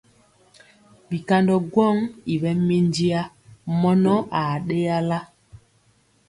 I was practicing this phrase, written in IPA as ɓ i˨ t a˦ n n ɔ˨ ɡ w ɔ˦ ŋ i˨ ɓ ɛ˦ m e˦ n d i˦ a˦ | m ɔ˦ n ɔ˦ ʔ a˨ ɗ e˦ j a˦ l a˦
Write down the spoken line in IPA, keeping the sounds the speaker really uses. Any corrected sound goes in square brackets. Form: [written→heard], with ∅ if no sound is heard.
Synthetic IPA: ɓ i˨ [t→k] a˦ n [n→d] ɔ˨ ɡ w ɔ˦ ŋ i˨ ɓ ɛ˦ m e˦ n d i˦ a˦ | m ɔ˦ n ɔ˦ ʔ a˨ ɗ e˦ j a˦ l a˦